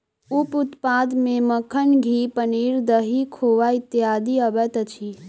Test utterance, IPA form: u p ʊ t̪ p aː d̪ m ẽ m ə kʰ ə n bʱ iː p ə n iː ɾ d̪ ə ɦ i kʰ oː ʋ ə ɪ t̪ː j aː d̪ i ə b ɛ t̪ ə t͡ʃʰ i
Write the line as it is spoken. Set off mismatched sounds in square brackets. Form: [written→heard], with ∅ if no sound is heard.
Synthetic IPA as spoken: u p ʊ t̪ p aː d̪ m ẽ m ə kʰ ə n [bʱ→ɡʱ] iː p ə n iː ɾ d̪ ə ɦ i kʰ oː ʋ [ə→a] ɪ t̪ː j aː d̪ i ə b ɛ t̪ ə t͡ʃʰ i